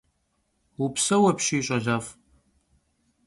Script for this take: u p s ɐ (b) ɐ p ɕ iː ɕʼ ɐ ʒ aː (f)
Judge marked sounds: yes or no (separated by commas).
no, yes